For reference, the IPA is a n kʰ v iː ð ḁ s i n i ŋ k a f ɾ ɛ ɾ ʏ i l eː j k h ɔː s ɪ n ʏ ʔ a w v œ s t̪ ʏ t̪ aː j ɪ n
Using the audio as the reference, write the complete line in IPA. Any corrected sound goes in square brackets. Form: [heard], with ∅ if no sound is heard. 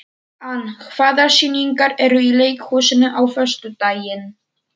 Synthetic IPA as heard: a n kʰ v [aː] ð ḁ s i n i ŋ k a [∅] ɾ ɛ ɾ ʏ i l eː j k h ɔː s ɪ n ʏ ʔ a w [f] œ s t̪ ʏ t̪ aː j ɪ n